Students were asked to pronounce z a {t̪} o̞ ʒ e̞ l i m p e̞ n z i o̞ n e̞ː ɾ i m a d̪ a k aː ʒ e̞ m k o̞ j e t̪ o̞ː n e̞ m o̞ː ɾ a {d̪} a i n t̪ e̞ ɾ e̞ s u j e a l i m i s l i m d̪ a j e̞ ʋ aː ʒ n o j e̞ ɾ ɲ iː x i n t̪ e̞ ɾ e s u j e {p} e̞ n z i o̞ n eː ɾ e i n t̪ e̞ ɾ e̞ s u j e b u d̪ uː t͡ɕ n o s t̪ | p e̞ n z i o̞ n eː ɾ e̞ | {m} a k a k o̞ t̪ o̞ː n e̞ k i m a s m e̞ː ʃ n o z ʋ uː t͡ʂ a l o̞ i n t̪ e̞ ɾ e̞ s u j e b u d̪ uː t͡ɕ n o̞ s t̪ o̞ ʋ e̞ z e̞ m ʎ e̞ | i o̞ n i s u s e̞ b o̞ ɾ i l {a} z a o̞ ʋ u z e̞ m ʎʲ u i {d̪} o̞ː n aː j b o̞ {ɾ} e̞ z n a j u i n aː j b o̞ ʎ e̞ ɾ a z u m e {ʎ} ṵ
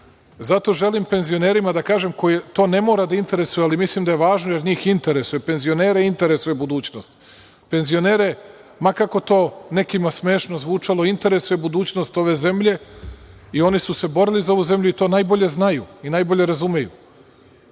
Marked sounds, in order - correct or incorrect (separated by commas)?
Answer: correct, correct, correct, correct, incorrect, incorrect, incorrect, incorrect